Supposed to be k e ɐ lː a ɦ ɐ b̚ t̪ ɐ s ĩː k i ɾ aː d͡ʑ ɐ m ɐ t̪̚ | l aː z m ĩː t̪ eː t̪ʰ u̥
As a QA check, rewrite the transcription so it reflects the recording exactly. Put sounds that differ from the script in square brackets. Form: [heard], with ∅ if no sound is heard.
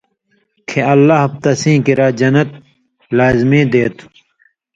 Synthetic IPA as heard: [kʰ] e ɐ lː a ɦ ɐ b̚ t̪ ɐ s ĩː k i ɾ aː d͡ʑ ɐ [n] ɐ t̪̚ | l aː z m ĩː [d̪] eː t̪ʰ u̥